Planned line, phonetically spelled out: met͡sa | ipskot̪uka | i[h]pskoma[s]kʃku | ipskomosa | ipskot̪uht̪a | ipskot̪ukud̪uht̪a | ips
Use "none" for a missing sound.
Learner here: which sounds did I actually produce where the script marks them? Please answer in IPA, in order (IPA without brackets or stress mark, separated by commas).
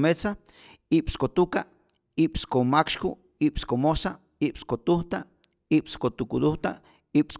none, none